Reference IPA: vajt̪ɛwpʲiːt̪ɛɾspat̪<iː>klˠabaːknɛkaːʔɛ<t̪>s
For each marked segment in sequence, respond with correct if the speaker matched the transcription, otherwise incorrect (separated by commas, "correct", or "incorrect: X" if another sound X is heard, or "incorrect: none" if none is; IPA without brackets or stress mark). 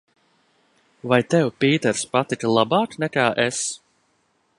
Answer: incorrect: i, incorrect: none